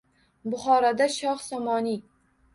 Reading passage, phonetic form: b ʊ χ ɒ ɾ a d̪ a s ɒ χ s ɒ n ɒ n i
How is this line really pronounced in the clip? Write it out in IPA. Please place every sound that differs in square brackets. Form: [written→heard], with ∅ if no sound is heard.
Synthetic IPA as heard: b ʊ χ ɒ ɾ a d̪ a [s→ʃ] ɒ χ s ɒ [n→m] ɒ n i